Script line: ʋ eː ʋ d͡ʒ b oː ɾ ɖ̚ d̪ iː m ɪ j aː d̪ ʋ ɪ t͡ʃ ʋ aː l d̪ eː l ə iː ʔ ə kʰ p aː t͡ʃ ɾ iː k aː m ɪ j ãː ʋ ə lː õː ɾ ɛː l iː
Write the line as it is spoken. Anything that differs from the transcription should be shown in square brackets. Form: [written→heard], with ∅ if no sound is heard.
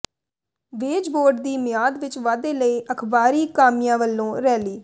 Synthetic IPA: ʋ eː [ʋ→∅] d͡ʒ b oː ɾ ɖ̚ d̪ iː m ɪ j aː d̪ ʋ ɪ t͡ʃ ʋ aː [l→∅] d̪ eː l ə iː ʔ ə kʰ [p→b] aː [t͡ʃ→∅] ɾ iː k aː m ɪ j ãː ʋ ə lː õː ɾ ɛː l iː